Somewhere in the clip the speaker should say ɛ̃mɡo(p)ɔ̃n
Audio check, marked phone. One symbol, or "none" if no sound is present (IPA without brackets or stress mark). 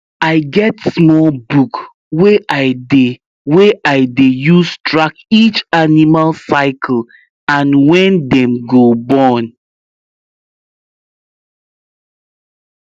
b